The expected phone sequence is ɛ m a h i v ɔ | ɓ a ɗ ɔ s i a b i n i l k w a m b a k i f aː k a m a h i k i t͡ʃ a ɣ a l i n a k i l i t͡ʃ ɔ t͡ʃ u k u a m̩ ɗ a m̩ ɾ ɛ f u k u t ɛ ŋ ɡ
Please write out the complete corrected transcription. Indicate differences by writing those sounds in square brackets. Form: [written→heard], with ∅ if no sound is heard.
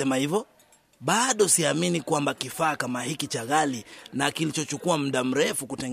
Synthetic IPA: ɛ m a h i v ɔ | ɓ a ɗ ɔ s i a [b→m] i n i [l→∅] k w a m b a k i f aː k a m a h i k i t͡ʃ a ɣ a l i n a k i l i t͡ʃ ɔ t͡ʃ u k u a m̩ ɗ a m̩ ɾ ɛ f u k u t ɛ ŋ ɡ